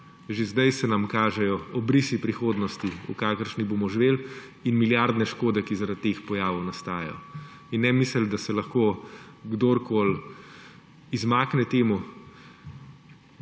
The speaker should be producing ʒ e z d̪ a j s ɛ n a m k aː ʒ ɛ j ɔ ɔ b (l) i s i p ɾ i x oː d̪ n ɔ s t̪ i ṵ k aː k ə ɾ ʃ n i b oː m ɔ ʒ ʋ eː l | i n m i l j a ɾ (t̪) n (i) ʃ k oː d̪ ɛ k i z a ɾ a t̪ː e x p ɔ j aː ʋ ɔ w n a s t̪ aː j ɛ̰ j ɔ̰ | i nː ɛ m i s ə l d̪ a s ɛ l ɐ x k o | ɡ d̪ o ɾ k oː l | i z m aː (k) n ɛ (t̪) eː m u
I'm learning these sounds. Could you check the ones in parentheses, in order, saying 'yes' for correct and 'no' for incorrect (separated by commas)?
no, no, no, yes, yes